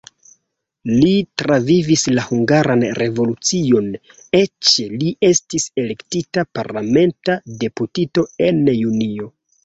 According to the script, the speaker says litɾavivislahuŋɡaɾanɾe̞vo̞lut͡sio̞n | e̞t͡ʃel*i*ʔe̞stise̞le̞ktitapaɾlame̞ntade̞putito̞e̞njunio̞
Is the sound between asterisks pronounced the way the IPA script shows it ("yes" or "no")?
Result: yes